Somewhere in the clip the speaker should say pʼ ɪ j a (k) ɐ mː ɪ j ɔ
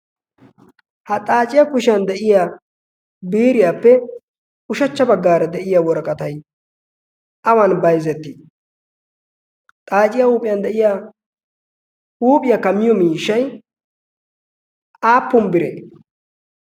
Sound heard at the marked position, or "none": k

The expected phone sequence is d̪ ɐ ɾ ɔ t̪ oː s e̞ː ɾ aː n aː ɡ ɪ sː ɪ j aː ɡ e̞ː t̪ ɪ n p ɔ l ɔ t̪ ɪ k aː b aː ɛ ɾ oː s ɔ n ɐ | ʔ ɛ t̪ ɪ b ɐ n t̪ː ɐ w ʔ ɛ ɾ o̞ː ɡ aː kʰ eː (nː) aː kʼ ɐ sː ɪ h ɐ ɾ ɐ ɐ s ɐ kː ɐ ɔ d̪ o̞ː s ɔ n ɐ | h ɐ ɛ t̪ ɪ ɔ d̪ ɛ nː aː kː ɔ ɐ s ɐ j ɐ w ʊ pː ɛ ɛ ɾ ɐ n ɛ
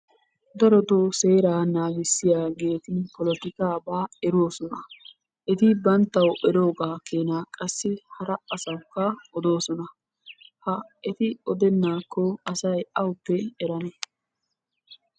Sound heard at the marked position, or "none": n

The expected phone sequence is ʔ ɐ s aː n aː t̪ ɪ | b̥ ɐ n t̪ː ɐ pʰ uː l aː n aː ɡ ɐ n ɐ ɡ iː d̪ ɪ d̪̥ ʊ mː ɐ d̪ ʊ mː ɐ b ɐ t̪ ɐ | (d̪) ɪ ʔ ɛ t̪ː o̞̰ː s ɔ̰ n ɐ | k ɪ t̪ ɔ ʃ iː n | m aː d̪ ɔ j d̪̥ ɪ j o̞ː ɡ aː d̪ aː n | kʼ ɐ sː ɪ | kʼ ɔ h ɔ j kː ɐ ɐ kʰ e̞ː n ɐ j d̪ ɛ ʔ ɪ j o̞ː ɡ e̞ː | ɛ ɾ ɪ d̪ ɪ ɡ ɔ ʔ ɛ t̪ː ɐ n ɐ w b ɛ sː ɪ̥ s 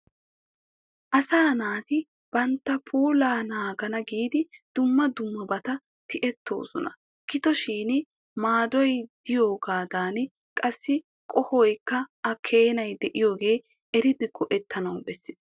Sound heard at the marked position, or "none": t̪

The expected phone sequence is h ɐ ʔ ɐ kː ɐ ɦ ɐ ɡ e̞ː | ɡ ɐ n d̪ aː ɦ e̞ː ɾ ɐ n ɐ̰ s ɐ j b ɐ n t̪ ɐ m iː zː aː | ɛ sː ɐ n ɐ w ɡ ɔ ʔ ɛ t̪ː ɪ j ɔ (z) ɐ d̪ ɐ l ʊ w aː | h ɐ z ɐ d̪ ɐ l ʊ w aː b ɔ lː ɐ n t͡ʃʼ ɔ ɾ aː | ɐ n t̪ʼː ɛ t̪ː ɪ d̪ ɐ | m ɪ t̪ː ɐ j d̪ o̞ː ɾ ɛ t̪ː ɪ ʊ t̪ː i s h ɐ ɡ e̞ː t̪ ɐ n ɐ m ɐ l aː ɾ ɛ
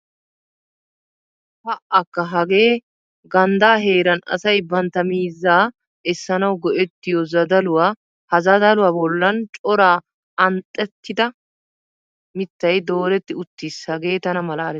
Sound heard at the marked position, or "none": z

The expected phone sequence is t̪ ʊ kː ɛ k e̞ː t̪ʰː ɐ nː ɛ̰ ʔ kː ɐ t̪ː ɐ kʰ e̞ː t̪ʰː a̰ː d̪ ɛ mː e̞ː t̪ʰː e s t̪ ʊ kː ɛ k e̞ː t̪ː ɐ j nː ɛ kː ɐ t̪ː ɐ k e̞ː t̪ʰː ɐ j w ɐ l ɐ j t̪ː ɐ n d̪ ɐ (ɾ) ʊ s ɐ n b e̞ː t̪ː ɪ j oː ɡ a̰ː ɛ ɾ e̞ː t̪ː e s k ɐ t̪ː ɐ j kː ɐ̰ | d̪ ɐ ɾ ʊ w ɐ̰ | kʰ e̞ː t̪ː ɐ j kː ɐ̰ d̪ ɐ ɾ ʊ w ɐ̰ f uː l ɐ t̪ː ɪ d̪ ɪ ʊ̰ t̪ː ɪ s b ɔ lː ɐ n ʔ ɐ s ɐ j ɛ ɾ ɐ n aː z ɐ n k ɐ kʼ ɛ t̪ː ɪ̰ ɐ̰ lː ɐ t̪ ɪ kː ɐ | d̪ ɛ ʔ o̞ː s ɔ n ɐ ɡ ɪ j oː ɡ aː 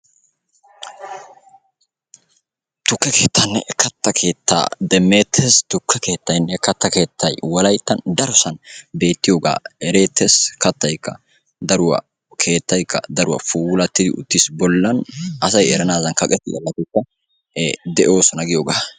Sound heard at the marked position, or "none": ɾ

